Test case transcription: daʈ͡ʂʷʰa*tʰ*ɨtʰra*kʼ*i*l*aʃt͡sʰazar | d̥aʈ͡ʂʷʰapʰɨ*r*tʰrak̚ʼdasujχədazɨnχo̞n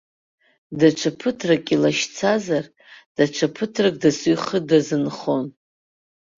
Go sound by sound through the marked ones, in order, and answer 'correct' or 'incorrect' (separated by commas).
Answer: incorrect, correct, correct, incorrect